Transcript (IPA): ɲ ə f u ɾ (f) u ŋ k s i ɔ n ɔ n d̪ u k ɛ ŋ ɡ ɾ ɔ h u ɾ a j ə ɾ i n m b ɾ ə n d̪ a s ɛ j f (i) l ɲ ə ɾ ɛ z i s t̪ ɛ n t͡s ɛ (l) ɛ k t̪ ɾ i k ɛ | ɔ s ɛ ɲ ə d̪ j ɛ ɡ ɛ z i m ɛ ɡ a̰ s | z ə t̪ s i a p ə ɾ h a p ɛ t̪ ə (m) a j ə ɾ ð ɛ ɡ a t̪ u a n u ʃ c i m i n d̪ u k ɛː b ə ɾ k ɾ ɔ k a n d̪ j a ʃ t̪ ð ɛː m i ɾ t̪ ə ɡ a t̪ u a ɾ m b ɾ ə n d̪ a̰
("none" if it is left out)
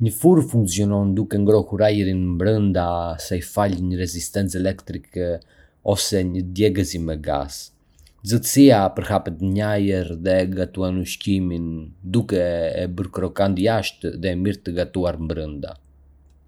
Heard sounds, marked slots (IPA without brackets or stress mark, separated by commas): f, a, l, ɲ